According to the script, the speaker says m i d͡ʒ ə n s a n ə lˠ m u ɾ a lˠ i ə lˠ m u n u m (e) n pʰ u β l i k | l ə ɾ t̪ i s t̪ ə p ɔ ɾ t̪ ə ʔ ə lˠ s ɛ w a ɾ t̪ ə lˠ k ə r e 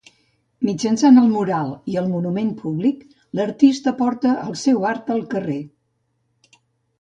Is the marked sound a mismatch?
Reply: no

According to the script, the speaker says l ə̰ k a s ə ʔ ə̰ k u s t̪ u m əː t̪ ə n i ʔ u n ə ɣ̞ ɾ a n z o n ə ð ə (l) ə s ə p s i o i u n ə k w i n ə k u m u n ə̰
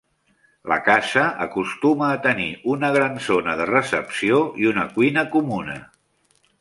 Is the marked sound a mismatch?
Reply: yes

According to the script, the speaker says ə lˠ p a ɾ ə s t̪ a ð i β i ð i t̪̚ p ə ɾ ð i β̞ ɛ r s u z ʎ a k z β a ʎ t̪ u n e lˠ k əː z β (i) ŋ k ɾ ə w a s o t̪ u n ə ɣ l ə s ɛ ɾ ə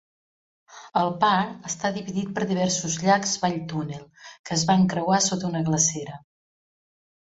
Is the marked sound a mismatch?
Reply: yes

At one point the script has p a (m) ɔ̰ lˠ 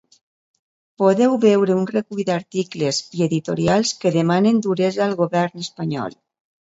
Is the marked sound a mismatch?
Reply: yes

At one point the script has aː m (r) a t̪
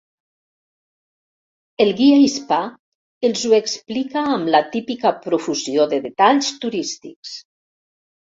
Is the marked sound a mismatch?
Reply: yes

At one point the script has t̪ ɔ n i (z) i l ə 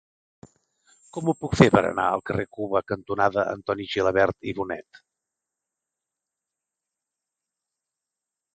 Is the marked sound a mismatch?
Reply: yes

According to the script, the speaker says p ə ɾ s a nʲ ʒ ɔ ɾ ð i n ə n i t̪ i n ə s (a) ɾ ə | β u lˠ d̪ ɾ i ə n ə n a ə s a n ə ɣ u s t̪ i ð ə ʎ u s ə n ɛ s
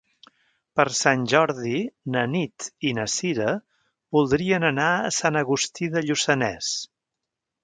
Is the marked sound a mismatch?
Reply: yes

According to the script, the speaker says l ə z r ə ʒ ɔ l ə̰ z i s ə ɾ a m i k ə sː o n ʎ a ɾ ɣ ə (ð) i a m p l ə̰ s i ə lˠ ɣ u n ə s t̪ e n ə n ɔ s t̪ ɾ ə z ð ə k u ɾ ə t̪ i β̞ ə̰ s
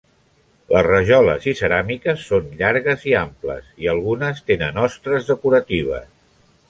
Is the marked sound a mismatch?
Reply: yes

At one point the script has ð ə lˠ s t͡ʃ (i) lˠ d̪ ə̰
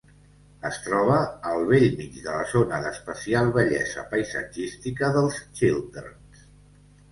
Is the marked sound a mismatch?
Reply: no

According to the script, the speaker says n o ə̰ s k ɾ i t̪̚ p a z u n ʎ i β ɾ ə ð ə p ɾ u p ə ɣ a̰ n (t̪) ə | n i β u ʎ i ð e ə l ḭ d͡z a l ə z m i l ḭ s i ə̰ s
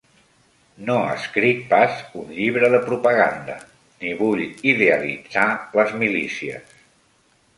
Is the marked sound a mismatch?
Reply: yes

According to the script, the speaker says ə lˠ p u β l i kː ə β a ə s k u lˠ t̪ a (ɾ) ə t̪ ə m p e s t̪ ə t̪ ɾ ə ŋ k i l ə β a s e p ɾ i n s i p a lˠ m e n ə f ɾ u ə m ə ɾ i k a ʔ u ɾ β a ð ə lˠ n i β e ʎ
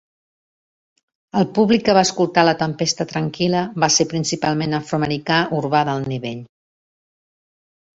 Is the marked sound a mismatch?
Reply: yes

